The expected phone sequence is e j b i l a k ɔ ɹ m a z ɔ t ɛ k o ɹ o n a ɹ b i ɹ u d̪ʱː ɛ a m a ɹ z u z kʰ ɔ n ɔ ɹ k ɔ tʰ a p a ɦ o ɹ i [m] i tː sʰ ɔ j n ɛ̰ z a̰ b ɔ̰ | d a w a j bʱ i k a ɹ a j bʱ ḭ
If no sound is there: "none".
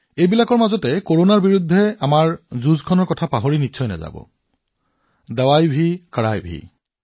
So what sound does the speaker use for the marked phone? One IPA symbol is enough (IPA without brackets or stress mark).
n